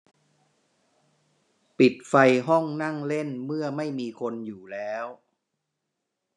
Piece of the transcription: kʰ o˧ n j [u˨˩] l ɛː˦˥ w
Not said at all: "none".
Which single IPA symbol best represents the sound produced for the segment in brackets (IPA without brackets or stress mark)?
uː˨˩